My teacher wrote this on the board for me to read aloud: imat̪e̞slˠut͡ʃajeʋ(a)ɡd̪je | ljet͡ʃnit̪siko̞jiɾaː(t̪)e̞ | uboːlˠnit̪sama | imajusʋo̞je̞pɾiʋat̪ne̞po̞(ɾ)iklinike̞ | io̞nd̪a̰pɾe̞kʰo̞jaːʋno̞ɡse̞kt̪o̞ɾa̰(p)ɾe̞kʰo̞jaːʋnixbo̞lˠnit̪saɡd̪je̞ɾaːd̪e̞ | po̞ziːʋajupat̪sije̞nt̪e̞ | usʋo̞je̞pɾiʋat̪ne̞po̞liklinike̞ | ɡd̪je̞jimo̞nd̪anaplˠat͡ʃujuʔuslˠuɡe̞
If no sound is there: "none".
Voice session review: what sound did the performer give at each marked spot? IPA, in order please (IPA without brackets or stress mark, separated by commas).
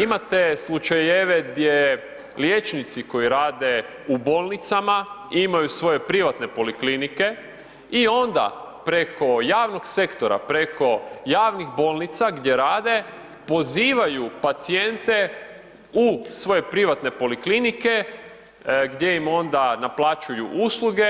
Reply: e, d̪, l, p